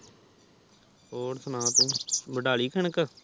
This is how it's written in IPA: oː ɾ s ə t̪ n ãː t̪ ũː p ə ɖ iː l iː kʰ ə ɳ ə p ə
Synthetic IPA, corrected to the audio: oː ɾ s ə n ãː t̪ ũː b ə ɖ aː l iː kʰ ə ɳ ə k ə